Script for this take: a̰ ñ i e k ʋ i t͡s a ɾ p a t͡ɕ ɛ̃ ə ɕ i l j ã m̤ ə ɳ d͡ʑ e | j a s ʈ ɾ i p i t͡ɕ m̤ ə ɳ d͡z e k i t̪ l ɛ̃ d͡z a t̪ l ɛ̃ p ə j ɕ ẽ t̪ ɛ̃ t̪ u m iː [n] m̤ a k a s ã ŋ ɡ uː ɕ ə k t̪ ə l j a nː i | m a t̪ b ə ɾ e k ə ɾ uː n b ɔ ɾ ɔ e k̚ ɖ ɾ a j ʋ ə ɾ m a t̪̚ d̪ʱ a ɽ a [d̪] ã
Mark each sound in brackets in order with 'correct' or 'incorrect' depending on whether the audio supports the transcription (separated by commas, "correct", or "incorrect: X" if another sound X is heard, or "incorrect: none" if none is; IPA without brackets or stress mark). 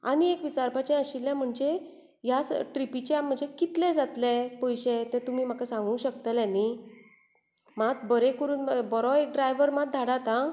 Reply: incorrect: none, incorrect: t̪